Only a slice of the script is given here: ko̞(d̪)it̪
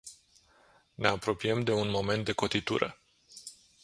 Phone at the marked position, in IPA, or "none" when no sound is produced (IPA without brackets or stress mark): t̪